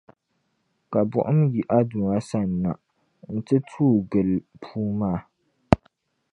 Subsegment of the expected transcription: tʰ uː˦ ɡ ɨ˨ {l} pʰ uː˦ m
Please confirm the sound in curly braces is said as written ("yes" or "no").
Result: yes